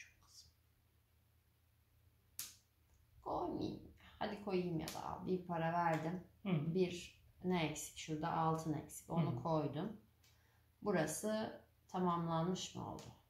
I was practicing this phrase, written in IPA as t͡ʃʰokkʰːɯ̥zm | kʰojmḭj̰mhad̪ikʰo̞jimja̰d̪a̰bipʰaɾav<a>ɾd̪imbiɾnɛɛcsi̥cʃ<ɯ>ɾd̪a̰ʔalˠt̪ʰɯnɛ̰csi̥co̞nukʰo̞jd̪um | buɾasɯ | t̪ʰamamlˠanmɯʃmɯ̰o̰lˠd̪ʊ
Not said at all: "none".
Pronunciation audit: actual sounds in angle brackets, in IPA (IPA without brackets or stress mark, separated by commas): æ, u